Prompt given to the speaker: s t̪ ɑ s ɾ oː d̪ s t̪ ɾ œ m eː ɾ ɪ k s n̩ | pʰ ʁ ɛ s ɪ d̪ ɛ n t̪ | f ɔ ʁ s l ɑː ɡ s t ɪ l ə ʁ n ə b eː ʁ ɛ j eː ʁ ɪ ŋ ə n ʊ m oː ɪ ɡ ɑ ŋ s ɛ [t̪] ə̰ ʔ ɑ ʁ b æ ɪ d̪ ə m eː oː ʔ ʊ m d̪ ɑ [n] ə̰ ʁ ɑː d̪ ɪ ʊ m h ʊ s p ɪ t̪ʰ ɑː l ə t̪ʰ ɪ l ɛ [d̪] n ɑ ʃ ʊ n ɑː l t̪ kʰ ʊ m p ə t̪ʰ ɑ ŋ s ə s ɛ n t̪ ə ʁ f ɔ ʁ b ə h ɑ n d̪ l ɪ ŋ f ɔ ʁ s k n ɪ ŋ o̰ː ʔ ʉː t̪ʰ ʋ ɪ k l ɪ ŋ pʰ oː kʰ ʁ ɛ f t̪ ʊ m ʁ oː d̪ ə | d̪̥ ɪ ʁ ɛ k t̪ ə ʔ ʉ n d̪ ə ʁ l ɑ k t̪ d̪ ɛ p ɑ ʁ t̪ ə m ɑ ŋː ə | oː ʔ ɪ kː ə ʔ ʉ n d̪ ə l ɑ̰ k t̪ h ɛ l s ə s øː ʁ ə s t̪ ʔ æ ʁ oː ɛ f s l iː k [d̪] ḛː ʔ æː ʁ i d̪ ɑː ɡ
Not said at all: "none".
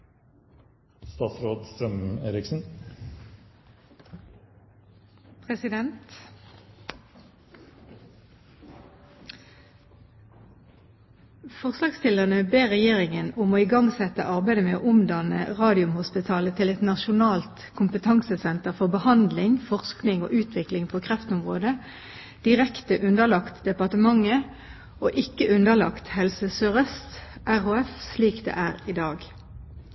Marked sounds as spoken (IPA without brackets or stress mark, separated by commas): t̪, n, t̪, d̪